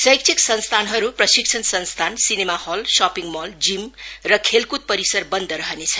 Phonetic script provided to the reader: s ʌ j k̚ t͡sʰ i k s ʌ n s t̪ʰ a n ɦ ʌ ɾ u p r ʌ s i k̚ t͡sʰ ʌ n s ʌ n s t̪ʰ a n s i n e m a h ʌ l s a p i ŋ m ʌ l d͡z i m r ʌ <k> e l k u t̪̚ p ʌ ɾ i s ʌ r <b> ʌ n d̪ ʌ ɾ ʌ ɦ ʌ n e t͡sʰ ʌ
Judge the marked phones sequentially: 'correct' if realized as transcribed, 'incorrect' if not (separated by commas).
incorrect, correct